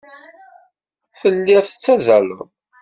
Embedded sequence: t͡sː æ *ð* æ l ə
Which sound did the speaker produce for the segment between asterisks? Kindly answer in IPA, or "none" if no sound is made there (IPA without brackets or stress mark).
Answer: z